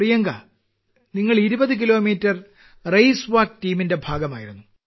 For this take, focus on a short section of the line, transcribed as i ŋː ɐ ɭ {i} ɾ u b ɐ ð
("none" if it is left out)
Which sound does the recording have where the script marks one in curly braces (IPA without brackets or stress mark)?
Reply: i